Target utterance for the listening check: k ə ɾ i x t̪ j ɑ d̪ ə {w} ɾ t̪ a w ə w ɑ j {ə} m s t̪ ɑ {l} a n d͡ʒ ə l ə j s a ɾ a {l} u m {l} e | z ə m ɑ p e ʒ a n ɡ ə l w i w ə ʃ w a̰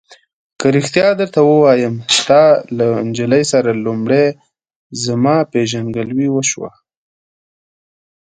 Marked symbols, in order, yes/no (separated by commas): no, yes, yes, yes, no